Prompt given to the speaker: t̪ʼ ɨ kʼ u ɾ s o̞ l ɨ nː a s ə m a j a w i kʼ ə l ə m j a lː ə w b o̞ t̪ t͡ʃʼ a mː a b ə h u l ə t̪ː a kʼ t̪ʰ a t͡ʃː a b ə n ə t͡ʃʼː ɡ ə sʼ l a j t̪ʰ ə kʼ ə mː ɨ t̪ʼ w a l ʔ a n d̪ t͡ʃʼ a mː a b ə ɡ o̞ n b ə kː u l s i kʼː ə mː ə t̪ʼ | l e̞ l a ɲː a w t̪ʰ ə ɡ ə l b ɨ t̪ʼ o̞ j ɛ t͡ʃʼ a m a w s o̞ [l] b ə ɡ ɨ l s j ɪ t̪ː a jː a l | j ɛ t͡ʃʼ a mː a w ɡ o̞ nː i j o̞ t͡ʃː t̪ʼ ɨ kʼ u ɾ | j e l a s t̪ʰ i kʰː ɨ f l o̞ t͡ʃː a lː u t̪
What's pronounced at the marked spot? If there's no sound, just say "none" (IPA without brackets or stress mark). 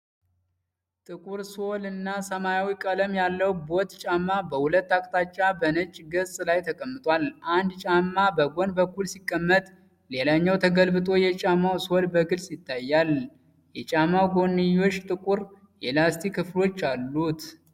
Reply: l